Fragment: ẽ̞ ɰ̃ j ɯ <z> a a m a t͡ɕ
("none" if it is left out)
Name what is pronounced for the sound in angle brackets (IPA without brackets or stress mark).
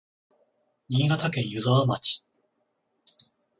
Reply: z